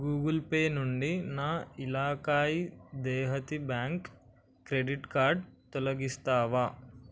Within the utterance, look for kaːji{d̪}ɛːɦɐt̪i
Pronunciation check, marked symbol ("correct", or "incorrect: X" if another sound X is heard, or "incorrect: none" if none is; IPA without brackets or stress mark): correct